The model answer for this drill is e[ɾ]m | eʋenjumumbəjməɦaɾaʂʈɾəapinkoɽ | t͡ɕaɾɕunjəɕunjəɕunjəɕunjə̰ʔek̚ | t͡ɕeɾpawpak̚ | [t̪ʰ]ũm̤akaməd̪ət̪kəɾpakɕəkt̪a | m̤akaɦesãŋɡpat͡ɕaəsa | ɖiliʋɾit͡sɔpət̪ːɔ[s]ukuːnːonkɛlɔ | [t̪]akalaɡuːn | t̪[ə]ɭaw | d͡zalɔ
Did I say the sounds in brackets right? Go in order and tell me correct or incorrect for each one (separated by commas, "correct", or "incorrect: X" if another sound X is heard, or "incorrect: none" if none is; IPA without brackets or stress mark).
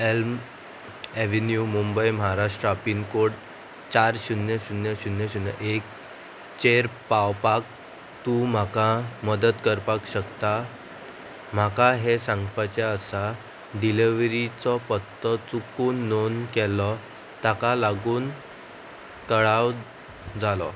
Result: incorrect: l, incorrect: t̪, incorrect: t͡s, correct, correct